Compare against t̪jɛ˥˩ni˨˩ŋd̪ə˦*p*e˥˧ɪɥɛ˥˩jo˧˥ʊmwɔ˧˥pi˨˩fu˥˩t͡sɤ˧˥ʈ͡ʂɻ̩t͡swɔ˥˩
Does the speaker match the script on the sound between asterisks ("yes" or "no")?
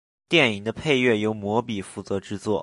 no